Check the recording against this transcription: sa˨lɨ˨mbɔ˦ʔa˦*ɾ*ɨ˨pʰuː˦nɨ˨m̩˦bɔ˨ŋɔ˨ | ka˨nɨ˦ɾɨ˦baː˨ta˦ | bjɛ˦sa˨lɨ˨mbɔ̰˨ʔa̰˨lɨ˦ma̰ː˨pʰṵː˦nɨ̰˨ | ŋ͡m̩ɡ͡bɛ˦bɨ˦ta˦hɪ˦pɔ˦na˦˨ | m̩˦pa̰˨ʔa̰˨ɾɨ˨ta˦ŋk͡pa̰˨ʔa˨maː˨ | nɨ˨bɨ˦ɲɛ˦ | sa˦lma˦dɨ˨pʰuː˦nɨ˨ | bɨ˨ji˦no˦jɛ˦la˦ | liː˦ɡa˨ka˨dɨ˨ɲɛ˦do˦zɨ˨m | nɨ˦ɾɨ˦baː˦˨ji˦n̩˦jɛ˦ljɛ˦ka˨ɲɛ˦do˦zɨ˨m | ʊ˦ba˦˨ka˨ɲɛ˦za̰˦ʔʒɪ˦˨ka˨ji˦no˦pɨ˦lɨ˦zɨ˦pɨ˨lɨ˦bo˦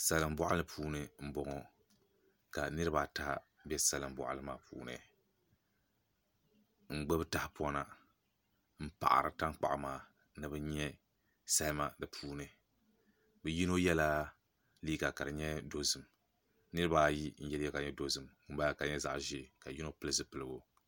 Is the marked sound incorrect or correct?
incorrect